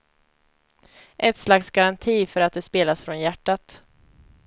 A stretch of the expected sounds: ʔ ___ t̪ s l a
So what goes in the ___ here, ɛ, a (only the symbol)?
ɛ